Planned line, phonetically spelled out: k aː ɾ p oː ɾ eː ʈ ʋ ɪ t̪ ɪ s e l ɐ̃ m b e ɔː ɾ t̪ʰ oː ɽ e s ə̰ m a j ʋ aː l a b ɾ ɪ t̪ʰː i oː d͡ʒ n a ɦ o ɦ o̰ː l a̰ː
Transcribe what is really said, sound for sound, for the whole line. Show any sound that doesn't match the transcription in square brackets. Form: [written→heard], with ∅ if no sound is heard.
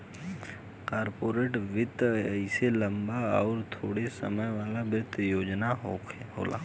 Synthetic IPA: k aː ɾ p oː ɾ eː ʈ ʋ ɪ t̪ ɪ s e l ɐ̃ m b [e→a] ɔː ɾ t̪ʰ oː ɽ e s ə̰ m [a→ə] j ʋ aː l a b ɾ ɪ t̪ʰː [i→j] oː d͡ʒ n a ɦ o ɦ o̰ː l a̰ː

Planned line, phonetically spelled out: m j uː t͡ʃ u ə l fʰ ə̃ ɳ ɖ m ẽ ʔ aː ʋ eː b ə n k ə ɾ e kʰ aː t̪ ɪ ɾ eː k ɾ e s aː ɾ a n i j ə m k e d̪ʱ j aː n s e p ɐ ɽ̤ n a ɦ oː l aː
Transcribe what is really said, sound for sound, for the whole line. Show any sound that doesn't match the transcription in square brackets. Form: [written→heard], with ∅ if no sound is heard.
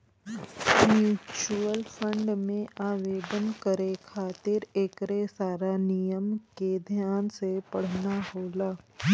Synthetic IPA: m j uː t͡ʃ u ə l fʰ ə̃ ɳ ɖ m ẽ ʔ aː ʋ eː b ə n k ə ɾ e kʰ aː t̪ ɪ ɾ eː k ɾ e s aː ɾ a n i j ə m k e d̪ʱ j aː n s e p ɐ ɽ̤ n a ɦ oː l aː

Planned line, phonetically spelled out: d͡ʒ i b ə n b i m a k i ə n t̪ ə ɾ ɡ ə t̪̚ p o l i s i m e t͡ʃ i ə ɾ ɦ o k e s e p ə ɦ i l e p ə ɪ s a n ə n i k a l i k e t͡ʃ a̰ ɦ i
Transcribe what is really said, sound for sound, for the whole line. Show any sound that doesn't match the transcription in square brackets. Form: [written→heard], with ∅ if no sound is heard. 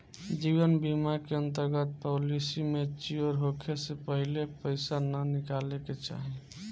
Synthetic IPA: d͡ʒ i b ə n b i m a k [i→e] ə n t̪ ə ɾ ɡ ə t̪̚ p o l i s i m e t͡ʃ i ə ɾ ɦ o [k→kʰ] e s e p ə ɦ i l e p ə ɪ s a n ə n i k a l [i→e] k e t͡ʃ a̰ ɦ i

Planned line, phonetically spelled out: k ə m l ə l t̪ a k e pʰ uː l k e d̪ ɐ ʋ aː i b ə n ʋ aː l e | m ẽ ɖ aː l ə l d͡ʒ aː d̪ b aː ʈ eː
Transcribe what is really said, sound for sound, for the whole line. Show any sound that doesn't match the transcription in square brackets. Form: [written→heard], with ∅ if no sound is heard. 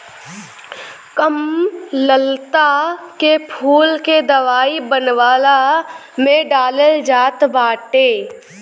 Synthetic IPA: k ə m l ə l t̪ a k e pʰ uː l k e d̪ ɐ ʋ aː i b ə n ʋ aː l [e→a] | m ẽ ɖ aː l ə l d͡ʒ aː [d̪→t̪] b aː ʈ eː

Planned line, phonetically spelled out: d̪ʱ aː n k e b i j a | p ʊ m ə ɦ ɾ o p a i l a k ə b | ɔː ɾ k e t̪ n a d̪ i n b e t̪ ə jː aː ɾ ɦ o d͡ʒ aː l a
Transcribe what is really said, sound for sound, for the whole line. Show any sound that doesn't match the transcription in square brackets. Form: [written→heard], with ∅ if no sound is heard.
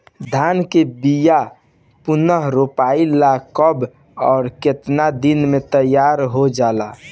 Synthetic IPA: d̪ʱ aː n k e b i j a | p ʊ [m→n] ə ɦ ɾ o p a i l a k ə b | ɔː ɾ k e t̪ n a d̪ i n [b→m] e t̪ ə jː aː ɾ ɦ o d͡ʒ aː l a

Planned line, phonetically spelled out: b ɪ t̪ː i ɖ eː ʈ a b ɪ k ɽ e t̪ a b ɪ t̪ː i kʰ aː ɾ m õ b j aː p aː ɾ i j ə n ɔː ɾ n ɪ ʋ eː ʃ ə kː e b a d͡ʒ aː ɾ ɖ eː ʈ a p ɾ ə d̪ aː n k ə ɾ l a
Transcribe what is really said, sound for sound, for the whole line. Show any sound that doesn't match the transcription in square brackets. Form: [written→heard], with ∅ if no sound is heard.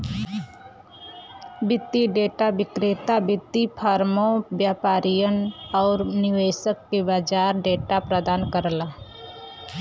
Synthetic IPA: b ɪ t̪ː i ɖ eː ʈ a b ɪ k [ɽ→ɾ] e t̪ a b ɪ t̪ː i [kʰ→pʰ] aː ɾ m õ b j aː p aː ɾ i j ə n ɔː ɾ n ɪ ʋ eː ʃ ə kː e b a d͡ʒ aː ɾ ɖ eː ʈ a p ɾ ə d̪ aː n k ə ɾ l a

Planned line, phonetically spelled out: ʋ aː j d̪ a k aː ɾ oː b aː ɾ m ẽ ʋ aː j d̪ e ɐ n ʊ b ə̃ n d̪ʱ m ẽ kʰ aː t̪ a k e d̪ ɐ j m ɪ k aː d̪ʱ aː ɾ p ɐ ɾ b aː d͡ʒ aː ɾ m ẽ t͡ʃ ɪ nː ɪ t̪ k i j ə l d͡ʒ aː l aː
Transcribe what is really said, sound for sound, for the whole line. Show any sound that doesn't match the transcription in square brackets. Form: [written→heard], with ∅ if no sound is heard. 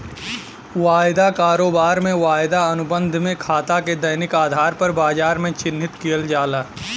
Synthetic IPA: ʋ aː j d̪ a k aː ɾ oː b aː ɾ m ẽ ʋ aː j d̪ [e→a] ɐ n ʊ b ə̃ n d̪ʱ m ẽ kʰ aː t̪ a k e d̪ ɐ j [m→n] ɪ k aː d̪ʱ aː ɾ p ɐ ɾ b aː d͡ʒ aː ɾ m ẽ t͡ʃ ɪ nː ɪ t̪ k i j ə l d͡ʒ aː l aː

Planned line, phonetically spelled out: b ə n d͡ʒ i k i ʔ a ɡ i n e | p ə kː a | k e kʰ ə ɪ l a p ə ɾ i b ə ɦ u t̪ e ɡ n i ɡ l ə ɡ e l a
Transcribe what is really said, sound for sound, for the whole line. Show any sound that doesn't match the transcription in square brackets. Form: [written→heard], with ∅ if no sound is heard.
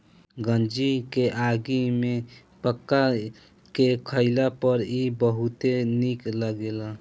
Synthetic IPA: [b→ɡ] ə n d͡ʒ i k [i→e] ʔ a ɡ i [n→m] e | p ə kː a | k e kʰ ə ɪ l a p ə ɾ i b ə ɦ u t̪ e [ɡ→∅] n i [ɡ→k] l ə ɡ e l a

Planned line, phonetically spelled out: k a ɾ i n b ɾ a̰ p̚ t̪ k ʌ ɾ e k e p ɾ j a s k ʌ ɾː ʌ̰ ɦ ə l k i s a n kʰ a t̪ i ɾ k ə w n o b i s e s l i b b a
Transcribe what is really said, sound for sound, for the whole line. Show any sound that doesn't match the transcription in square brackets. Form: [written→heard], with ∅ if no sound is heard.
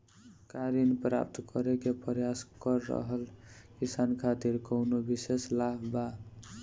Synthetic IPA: k a ɾ i n [b→p] ɾ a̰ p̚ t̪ k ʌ ɾ e k e p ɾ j a s k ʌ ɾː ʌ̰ ɦ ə l k i s a n kʰ a t̪ i ɾ k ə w n o b i s e s l [i→a] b b a

